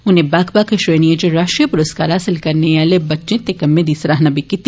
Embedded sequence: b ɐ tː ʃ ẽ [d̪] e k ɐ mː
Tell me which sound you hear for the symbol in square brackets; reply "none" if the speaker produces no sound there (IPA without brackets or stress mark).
t̪